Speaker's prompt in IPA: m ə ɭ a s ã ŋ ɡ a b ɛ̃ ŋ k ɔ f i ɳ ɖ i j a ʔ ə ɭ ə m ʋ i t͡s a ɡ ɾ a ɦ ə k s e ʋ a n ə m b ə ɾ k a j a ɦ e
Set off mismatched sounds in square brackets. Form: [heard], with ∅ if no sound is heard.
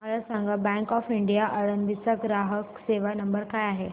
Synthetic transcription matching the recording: m ə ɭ a s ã ŋ ɡ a b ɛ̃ ŋ k ɔ f i ɳ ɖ i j a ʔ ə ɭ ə [n] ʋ i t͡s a ɡ ɾ a ɦ ə k s e ʋ a n ə m b ə ɾ k a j a ɦ e